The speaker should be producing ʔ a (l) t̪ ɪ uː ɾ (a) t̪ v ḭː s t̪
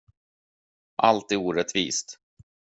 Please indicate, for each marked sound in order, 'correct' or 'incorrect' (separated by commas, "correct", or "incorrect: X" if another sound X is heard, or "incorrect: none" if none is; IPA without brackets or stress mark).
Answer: correct, incorrect: ɛ